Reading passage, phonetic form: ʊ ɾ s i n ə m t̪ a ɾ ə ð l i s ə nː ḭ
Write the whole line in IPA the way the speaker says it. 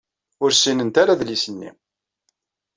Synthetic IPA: ʊ ɾ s i n ə n t̪ a ɾ a ð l i s ə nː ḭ